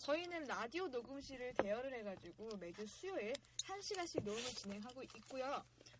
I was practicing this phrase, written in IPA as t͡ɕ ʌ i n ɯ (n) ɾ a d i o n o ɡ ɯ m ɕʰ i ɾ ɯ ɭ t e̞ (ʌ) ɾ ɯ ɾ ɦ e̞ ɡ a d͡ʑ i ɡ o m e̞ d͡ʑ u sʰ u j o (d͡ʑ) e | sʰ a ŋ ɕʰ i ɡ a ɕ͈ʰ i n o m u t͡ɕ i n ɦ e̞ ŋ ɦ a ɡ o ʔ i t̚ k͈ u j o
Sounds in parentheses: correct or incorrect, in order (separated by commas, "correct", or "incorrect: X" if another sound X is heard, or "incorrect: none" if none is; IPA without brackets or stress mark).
correct, correct, incorrect: none